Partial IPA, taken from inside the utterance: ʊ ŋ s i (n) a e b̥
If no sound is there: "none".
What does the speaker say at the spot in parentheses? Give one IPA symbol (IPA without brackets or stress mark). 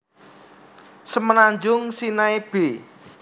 n